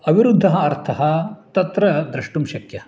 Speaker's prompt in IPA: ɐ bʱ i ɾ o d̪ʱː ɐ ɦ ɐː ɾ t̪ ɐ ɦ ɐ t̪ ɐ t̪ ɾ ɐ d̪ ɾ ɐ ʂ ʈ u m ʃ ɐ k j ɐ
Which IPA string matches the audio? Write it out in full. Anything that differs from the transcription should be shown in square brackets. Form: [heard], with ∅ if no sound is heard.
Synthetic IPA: ɐ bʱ i ɾ [u] d̪ʱː ɐ ɦ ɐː ɾ [t̪ʰ] ɐ ɦ ɐ t̪ ɐ t̪ ɾ ɐ d̪ ɾ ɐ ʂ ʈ u m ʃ ɐ k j ɐ